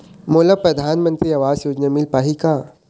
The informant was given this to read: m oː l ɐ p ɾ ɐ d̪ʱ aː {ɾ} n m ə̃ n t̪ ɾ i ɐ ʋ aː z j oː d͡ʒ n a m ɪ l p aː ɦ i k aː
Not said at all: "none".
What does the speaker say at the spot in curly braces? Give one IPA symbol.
none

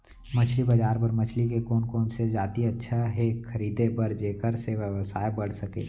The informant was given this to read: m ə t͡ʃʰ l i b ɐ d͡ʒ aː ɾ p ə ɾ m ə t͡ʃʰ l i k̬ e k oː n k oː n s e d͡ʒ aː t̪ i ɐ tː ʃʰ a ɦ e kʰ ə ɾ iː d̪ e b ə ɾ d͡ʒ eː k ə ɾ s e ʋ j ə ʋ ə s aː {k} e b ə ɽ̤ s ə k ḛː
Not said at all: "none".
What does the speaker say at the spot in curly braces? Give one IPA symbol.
none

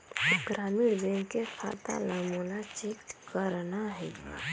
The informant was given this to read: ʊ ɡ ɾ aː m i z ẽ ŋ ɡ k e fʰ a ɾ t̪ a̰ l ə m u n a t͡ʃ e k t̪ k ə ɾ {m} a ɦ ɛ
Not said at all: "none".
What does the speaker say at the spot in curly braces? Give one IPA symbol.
n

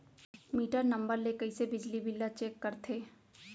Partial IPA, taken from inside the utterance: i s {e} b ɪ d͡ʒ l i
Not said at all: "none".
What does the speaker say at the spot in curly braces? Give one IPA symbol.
e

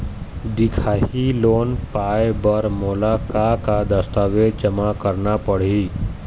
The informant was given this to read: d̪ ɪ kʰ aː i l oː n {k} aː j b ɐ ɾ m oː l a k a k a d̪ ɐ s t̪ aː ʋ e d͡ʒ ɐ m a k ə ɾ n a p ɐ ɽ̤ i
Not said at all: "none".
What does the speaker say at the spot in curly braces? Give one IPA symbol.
p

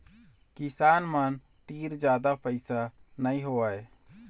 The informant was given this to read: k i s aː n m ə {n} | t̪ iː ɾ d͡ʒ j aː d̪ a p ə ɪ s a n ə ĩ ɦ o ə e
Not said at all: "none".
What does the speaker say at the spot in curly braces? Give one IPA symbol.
n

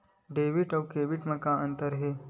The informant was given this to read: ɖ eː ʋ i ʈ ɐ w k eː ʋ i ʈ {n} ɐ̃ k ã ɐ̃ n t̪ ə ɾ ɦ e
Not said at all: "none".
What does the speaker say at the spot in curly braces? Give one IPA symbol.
m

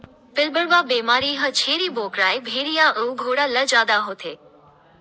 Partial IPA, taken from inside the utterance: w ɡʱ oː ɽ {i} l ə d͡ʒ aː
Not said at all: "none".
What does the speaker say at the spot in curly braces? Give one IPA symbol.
a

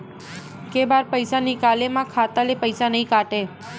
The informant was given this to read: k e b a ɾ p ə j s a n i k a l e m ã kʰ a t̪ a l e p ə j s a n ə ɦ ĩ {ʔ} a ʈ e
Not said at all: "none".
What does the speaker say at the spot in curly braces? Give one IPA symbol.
k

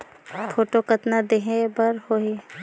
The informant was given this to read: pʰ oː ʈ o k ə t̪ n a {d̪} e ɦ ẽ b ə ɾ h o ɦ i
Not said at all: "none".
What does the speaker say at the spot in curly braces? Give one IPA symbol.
d̪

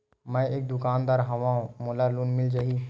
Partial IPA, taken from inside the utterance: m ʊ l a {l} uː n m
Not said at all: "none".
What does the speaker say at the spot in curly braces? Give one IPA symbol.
l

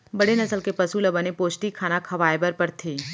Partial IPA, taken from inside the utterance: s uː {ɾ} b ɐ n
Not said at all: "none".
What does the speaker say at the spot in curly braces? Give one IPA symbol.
l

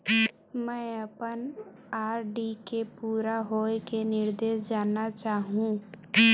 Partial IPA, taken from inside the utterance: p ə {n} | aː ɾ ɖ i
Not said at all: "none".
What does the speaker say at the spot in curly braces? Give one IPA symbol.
n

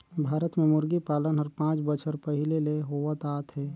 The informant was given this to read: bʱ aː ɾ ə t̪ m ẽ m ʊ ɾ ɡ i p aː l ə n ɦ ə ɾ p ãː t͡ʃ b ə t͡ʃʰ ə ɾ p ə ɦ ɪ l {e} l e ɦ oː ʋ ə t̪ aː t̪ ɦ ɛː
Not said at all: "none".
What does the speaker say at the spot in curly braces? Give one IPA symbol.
e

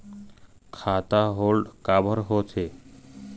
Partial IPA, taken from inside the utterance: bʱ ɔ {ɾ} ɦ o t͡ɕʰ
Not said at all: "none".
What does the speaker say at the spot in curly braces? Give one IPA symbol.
ɾ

